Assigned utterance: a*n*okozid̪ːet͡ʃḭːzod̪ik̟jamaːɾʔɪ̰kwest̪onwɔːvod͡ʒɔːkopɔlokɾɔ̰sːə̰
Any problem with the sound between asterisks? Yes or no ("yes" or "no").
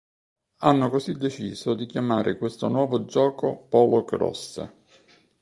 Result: yes